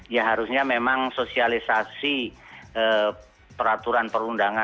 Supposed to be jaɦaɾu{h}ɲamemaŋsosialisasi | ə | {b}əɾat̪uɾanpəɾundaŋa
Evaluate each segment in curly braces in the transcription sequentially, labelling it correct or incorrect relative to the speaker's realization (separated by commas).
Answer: incorrect, incorrect